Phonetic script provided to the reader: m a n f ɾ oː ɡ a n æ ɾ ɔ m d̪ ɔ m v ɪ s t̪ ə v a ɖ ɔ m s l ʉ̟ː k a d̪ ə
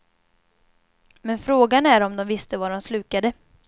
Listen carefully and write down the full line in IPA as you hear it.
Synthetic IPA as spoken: m ɛ n f ɾ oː ɡ a n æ ɾ ɔ m d̪ ɔ m v ɪ s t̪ ə v a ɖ ɔ m s l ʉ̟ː k a d̪ ə

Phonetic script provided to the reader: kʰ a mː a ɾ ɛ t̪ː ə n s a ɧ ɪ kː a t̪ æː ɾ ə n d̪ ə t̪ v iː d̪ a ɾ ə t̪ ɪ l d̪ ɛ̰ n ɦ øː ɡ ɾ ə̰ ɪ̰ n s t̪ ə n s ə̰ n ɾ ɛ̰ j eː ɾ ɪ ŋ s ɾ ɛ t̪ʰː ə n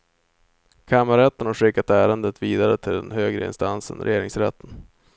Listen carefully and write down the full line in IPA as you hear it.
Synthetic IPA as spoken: kʰ a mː a ɾ ɛ t̪ː ə n h a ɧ ɪ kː a t̪ æː ɾ ə n d̪ ə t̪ v iː d̪ a ɾ ə t̪ʰ ɪ l d̪ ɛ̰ n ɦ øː ɡ ɾ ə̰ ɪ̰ n s t̪ a n s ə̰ n ɾ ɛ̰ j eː ɾ ɪ ŋ s ɾ ɛ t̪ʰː ə n

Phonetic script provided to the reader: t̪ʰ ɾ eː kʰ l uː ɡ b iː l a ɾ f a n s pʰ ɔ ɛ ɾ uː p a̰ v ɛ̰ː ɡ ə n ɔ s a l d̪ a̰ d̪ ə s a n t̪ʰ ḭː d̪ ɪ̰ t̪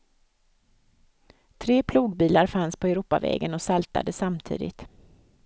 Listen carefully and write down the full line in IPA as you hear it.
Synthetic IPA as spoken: t̪ʰ ɾ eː pʰ l uː ɡ b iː l a ɾ f a n s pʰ ɔ ɛ ɾ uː p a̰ v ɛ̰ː ɡ ə n ɔ s a l t̪ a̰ d̪ ə s a m t̪ʰ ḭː d̪ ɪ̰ t̪

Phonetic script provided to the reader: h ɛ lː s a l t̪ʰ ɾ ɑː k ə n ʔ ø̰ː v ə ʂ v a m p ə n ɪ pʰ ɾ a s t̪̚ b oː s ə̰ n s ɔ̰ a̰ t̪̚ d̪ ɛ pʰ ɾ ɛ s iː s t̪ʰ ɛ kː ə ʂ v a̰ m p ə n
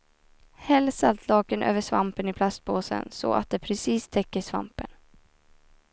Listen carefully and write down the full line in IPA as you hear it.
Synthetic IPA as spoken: h ɛ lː s a l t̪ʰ l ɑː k ə n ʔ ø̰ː v ə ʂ v a m p ə n ɪ pʰ l a s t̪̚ b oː s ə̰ n s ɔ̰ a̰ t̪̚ d̪ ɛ pʰ ɾ ɛ s iː s t̪ʰ ɛ kː ə ʂ v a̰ m p ə n

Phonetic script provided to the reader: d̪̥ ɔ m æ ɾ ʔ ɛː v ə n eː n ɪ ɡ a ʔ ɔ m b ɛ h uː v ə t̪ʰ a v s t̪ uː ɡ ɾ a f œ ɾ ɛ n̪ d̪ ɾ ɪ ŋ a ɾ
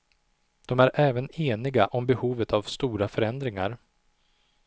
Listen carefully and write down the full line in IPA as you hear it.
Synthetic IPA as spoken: d̪̥ ɔ m æ ɾ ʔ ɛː v ə n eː n ɪ ɡ a ʔ ɔ m b ɛ h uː v ə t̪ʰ a v s t̪ uː ɾ a f œ ɾ ɛ n̪ d̪ ɾ ɪ ŋ a ɾ

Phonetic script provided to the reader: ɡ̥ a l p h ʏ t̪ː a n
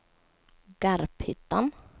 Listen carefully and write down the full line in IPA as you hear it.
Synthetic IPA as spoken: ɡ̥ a ɾ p h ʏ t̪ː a n

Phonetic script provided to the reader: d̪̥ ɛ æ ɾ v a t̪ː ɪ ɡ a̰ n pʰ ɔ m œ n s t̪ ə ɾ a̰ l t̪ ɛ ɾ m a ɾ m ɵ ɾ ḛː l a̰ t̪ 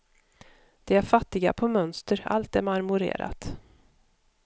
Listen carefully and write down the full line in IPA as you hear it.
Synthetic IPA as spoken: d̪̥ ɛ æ ɾ f a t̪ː ɪ ɡ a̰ pʰ ɔ m œ n s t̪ ə ɾ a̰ l t̪ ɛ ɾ m a ɾ m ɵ ɾ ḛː ɾ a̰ t̪

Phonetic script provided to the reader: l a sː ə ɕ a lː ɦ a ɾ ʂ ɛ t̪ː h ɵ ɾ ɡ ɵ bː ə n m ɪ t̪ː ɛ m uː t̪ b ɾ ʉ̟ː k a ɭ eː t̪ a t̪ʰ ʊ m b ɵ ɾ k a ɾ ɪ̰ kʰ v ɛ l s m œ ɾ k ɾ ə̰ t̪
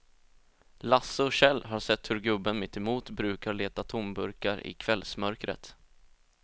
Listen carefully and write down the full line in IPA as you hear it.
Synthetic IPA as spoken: l a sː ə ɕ ɛ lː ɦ a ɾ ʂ ɛ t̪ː h ɵ ɾ ɡ ɵ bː ə n m ɪ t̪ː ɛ m uː t̪ b ɾ ʉ̟ː k a ɭ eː t̪ a t̪ʰ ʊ m b ɵ ɾ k a ɾ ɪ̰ kʰ v ɛ l s m œ ɾ k ɾ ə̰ t̪

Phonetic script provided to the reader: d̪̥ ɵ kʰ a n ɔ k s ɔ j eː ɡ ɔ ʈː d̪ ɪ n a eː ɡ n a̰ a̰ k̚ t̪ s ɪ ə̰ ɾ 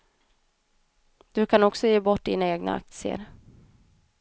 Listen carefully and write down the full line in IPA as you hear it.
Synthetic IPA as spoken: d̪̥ ɵ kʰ a n ɔ k s ɔ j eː b ɔ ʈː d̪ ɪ n a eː ɡ n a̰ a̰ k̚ t̪ s ɪ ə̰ ɾ

